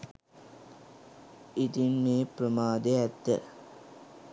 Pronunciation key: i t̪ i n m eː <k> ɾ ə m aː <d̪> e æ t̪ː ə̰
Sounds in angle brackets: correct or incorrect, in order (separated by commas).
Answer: incorrect, correct